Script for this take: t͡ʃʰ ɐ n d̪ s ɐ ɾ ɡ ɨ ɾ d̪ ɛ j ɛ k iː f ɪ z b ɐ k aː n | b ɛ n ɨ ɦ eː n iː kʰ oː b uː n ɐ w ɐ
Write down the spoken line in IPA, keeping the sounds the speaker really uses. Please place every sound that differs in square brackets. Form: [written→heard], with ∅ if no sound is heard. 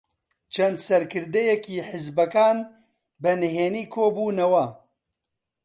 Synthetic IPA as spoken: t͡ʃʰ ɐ n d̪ s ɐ ɾ [ɡ→k] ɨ ɾ d̪ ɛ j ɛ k iː [f→ħ] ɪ z b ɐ k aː n | b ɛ n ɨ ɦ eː n iː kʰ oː b uː n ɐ w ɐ